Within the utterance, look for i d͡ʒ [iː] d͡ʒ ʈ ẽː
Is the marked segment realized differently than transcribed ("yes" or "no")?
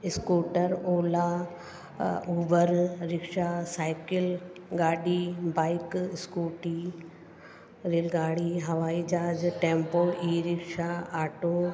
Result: yes